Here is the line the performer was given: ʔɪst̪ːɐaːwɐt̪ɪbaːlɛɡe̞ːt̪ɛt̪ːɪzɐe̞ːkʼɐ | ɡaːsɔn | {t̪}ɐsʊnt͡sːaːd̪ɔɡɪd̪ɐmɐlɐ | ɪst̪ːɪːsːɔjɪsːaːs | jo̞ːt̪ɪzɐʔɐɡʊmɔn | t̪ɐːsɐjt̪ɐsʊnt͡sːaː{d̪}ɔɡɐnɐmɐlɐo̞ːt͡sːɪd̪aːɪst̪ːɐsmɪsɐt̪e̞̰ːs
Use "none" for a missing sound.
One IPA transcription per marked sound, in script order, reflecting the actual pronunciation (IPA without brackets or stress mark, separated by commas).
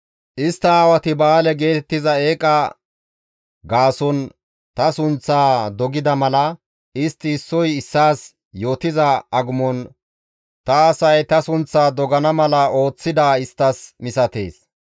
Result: t̪, d̪